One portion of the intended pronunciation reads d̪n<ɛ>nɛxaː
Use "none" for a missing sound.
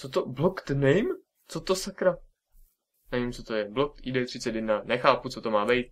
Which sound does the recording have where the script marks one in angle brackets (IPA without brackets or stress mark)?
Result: a